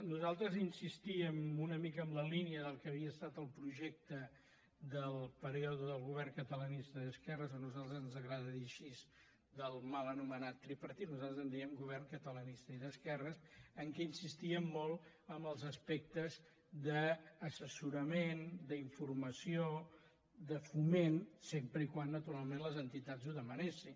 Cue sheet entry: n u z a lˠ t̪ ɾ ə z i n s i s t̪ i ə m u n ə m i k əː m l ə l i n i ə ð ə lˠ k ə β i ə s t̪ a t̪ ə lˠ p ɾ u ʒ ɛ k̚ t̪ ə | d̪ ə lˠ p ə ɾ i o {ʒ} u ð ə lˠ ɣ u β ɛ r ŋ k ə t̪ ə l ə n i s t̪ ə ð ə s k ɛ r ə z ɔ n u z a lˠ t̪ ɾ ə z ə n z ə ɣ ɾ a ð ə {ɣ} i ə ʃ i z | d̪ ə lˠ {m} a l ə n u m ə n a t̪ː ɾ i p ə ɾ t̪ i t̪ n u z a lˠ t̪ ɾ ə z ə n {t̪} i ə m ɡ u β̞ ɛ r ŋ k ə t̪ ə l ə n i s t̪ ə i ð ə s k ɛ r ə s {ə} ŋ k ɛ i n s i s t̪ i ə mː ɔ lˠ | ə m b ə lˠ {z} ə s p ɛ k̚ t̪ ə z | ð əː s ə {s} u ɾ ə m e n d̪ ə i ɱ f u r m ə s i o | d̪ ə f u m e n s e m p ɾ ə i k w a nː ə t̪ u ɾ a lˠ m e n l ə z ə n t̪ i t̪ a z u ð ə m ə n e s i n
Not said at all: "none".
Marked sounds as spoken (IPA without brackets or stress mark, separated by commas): ð, ð, m, d̪, ə, z, s